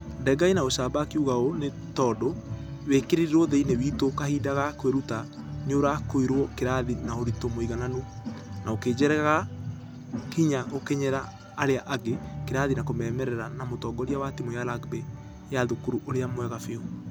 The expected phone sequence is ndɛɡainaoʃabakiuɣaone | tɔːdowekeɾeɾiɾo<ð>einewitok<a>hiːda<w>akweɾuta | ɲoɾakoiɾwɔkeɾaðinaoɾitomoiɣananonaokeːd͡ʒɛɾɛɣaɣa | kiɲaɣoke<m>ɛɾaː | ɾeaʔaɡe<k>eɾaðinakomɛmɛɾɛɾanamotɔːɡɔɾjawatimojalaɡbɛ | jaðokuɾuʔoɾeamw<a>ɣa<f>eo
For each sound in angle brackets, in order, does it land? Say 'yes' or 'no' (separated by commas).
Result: yes, yes, no, no, yes, no, yes